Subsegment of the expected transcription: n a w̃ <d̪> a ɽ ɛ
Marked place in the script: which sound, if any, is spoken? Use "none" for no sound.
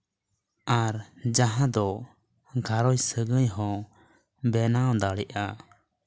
d̪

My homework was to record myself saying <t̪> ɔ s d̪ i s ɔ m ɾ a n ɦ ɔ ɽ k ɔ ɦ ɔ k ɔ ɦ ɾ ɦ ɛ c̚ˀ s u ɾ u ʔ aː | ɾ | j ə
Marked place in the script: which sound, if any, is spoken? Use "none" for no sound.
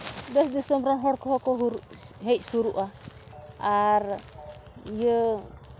d̪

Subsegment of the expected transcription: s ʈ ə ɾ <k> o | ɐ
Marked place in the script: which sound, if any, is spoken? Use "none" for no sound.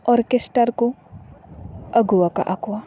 k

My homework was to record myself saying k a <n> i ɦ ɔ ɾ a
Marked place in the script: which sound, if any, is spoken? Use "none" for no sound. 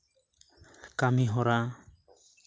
m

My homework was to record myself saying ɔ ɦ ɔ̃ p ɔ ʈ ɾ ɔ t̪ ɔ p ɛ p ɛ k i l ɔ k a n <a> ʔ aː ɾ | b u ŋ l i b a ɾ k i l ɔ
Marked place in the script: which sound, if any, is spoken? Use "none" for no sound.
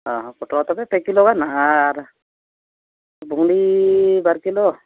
a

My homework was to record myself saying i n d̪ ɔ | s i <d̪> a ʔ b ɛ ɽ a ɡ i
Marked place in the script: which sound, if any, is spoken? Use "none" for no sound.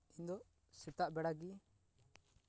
t̪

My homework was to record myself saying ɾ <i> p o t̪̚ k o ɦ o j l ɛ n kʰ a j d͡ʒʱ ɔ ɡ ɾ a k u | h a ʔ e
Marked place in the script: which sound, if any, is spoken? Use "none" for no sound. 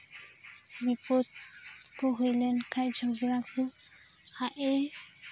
i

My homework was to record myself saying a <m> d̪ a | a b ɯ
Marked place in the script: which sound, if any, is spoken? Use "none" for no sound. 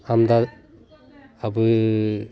m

